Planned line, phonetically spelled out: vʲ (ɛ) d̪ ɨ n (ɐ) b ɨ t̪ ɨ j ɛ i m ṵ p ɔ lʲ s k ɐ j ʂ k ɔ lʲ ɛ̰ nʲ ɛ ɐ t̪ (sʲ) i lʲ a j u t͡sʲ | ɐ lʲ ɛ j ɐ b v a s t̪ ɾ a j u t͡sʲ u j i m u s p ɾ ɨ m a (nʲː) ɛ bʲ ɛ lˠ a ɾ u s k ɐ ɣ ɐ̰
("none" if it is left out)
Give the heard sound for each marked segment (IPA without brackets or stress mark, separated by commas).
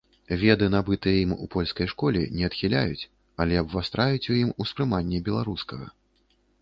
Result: ɛ, a, xʲ, nʲː